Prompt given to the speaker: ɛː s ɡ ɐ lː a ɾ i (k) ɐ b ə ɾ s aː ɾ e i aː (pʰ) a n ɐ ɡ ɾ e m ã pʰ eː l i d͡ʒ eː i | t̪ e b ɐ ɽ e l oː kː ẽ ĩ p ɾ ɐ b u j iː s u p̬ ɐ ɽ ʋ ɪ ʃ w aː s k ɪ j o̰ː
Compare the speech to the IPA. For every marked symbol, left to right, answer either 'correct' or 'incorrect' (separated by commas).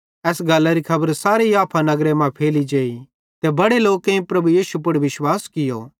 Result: incorrect, correct